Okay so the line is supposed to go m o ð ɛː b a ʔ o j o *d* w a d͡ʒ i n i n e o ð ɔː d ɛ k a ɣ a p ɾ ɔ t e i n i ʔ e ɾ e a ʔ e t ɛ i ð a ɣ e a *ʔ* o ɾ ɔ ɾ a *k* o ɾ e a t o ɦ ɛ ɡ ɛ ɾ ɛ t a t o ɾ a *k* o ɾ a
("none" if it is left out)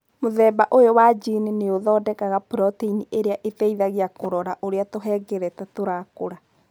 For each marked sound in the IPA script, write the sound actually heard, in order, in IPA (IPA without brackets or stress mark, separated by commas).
none, k, ʔ, k